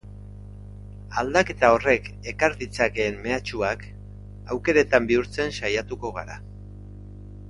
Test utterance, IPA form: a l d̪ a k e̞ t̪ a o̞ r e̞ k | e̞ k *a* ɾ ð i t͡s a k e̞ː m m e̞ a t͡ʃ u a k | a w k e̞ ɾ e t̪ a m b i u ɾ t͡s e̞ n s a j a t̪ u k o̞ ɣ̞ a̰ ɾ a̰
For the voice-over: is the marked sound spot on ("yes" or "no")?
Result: yes